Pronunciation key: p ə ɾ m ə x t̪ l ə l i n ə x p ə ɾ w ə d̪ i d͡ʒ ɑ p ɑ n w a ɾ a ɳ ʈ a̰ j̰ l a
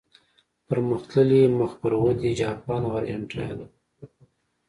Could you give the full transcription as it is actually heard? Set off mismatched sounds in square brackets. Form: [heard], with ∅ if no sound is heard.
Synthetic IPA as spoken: p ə ɾ m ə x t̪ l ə l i [m] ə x p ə ɾ w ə d̪ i d͡ʒ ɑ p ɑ n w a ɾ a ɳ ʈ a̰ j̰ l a